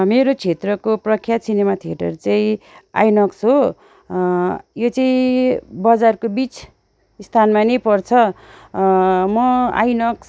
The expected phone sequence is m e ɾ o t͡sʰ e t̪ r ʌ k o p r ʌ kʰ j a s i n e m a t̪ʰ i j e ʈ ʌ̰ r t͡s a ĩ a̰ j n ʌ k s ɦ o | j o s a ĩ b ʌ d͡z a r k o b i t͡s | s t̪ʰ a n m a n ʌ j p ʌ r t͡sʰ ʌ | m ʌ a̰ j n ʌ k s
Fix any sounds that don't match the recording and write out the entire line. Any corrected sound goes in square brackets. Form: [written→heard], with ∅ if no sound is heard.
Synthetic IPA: m e ɾ o t͡sʰ e t̪ r ʌ k o p r ʌ kʰ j a s i n e m a t̪ʰ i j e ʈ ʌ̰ r t͡s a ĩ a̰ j n ʌ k s ɦ o | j o [s→t͡s] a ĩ b ʌ d͡z a r k o b i t͡s | s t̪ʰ a n m a n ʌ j p ʌ r t͡sʰ ʌ | m ʌ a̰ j n ʌ k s